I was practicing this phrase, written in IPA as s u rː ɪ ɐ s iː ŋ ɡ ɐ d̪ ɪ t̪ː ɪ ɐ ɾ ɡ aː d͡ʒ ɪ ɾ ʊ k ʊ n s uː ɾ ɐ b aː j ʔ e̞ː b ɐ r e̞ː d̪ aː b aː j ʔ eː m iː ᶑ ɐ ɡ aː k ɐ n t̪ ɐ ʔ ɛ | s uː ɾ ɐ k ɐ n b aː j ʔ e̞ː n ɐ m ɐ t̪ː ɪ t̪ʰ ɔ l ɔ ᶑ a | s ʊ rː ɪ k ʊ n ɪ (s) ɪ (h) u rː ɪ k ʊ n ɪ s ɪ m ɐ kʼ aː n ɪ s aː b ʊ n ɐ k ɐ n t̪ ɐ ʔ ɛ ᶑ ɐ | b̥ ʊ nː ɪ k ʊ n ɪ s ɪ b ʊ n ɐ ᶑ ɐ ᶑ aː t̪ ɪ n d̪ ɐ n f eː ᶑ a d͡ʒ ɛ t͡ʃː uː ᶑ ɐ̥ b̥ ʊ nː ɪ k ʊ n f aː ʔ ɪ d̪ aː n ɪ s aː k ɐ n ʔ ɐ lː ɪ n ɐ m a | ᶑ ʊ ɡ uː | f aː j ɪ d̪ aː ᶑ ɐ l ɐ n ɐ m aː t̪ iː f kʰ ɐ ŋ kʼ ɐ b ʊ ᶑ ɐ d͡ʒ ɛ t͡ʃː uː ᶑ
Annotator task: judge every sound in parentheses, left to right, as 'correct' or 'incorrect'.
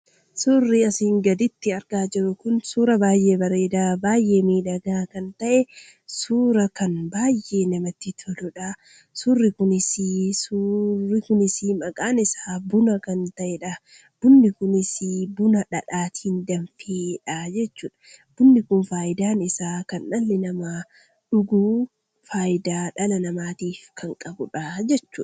correct, incorrect

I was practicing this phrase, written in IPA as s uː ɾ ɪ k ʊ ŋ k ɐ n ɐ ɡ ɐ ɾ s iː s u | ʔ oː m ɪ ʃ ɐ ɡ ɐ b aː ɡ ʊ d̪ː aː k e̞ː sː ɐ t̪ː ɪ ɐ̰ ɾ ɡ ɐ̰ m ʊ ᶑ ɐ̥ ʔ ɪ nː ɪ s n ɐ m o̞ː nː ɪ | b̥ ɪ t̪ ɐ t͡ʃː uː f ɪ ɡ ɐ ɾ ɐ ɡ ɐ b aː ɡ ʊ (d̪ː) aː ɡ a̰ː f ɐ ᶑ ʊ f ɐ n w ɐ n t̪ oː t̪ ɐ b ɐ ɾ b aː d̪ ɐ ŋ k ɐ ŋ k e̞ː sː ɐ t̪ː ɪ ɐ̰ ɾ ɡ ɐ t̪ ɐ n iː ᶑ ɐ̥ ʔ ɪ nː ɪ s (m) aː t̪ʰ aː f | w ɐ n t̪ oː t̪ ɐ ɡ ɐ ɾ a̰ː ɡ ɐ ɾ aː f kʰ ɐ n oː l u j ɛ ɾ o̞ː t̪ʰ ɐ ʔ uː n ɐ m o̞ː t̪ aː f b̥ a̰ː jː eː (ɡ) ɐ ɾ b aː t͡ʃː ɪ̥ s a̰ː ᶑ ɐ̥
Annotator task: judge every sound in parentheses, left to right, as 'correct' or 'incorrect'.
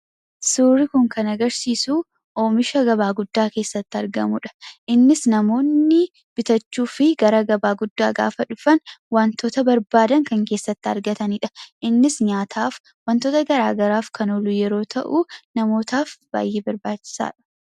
correct, incorrect, incorrect

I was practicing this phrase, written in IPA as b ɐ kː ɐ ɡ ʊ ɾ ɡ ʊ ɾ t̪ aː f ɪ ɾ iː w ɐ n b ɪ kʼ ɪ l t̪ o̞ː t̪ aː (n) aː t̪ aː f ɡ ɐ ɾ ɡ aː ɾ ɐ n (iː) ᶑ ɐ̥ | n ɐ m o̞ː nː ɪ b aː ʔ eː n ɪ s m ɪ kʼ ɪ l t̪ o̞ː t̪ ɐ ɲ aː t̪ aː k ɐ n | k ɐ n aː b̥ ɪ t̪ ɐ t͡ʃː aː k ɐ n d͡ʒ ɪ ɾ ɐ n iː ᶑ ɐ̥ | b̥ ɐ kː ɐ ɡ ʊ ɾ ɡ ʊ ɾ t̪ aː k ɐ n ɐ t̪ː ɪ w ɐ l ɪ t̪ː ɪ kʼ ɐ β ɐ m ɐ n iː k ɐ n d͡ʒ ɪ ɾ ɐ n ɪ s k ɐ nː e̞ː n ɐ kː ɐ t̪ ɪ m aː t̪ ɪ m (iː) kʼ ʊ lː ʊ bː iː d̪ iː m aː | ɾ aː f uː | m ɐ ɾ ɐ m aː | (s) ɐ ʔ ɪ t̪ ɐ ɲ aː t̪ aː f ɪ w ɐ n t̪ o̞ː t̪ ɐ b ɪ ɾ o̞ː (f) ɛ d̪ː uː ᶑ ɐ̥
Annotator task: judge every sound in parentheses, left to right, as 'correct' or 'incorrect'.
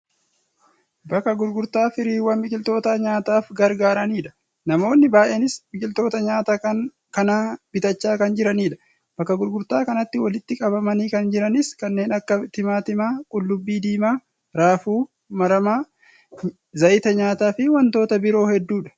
incorrect, correct, incorrect, incorrect, incorrect

